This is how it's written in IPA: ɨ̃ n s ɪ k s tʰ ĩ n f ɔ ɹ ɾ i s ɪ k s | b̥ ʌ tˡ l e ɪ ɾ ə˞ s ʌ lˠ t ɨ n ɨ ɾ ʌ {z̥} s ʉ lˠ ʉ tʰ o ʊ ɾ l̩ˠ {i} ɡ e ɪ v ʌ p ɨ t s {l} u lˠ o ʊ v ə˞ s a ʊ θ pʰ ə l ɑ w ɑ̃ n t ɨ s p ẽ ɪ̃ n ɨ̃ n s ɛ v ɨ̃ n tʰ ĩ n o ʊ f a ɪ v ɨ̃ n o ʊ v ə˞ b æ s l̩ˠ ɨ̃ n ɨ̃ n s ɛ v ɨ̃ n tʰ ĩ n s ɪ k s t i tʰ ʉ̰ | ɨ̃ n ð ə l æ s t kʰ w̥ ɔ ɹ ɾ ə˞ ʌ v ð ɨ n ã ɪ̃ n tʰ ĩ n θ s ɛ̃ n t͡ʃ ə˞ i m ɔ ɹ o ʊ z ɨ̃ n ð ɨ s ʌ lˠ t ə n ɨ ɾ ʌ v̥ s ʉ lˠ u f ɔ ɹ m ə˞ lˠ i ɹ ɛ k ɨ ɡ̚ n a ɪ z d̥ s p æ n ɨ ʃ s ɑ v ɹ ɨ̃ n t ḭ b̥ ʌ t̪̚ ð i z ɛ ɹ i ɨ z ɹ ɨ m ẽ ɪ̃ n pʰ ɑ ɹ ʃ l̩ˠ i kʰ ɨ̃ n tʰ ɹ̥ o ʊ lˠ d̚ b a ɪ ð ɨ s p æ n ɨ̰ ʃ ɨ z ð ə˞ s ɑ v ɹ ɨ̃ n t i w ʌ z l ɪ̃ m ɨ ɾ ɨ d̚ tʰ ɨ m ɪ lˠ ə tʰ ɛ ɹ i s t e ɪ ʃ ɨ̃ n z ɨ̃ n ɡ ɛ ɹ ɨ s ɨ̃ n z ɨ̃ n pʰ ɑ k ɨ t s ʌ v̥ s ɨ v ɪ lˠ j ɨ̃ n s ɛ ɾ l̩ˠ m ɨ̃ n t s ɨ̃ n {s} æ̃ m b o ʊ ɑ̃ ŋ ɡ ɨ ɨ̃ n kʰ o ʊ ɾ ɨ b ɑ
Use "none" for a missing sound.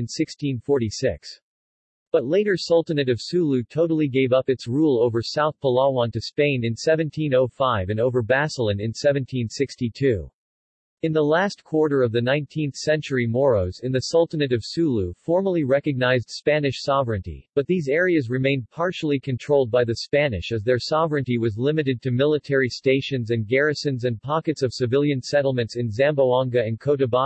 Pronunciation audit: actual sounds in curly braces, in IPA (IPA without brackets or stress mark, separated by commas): v̥, i, ɹ, z